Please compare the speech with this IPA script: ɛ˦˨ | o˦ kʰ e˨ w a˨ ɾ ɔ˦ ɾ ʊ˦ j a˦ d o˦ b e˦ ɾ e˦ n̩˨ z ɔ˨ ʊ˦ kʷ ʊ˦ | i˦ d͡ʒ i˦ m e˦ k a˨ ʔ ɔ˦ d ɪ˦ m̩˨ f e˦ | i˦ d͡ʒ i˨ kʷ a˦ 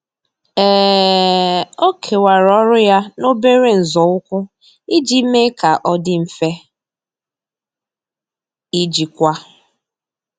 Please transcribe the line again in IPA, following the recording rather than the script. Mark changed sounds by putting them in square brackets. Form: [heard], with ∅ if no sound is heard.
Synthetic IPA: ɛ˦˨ | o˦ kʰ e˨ w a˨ ɾ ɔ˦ ɾ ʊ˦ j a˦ [n] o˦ b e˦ ɾ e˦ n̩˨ z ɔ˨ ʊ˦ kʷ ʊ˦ | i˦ d͡ʒ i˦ m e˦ k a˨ ʔ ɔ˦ d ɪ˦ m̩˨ f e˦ | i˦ d͡ʒ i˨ kʷ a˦